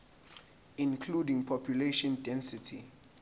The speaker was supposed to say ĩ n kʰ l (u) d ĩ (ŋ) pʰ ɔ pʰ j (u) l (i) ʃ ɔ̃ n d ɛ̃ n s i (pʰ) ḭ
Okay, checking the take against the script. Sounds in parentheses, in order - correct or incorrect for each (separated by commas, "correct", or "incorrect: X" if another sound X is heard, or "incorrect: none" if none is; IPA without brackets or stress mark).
correct, correct, correct, incorrect: e, incorrect: tʰ